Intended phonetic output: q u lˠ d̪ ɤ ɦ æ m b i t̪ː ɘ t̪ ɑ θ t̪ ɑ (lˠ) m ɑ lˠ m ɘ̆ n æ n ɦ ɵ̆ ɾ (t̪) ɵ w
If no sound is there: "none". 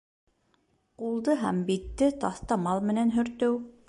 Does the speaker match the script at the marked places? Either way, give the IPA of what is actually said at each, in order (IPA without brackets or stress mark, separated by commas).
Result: none, t̪